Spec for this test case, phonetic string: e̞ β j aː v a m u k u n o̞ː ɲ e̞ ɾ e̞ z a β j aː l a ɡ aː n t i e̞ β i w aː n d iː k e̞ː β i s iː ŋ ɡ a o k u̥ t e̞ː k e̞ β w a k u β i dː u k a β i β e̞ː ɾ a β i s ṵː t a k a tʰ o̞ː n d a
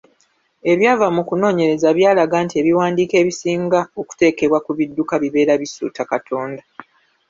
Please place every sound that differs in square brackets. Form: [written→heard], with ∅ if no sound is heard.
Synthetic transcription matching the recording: e̞ β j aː v a m u k u n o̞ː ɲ e̞ ɾ e̞ z a β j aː l a ɡ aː n t i e̞ β i w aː n d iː k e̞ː β i s iː ŋ ɡ a o k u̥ t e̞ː k e̞ β w a k u β i dː u k a β i β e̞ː ɾ a β i s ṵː t a k a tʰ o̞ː n d a